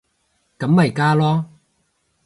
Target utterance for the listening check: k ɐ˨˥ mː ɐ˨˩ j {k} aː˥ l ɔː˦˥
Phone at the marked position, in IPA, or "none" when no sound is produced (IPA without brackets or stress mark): k